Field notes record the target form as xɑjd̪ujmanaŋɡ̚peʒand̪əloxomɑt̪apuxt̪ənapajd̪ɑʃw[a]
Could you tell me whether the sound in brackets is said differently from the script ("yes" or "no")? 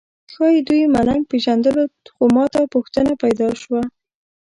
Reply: no